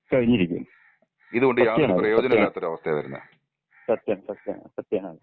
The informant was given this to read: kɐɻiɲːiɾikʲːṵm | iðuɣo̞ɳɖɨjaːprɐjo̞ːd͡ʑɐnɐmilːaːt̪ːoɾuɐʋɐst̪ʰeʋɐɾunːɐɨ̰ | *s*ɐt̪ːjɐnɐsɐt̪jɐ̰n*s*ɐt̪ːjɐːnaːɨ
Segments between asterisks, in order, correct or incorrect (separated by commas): correct, correct